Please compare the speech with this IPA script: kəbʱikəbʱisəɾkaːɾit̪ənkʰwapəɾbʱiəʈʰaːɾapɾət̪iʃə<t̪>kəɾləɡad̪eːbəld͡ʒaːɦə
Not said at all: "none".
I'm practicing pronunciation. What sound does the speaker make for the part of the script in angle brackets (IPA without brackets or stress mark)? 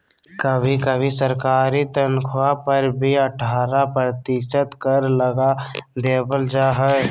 t̪